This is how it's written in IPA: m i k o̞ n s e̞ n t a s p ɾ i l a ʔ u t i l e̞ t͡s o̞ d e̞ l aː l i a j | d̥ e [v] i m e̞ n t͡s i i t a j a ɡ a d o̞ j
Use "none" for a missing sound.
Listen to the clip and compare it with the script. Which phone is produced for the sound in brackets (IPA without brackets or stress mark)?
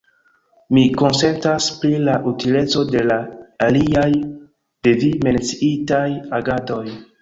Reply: v